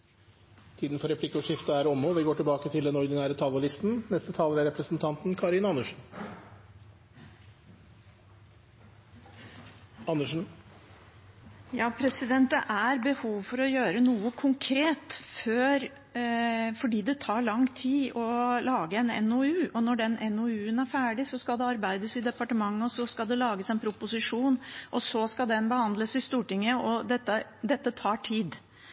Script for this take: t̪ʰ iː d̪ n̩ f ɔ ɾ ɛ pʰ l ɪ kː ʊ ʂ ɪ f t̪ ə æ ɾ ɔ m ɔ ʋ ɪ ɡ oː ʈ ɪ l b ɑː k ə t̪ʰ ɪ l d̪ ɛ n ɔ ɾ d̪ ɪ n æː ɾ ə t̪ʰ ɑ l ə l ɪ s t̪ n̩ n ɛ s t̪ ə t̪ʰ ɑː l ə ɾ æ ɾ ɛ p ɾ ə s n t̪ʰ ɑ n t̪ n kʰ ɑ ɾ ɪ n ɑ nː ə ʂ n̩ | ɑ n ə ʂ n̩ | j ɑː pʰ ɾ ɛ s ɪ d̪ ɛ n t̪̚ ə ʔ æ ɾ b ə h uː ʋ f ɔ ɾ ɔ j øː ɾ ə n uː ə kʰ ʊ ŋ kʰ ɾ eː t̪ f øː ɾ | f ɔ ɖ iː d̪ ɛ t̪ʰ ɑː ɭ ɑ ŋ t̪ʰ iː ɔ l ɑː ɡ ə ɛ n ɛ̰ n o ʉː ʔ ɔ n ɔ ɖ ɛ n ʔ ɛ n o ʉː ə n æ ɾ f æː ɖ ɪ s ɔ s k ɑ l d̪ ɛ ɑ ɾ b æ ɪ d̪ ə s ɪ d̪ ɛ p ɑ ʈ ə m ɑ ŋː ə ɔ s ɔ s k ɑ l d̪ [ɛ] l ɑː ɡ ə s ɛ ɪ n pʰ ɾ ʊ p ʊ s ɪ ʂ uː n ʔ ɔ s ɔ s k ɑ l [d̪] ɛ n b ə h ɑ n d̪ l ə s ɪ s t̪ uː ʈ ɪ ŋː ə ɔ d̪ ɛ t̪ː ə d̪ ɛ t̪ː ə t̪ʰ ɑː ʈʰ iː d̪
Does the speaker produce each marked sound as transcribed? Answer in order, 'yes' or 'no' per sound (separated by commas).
yes, yes